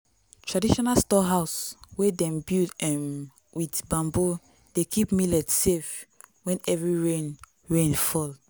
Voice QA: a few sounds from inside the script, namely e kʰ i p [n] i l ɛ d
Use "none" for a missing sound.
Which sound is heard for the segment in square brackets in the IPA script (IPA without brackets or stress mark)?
m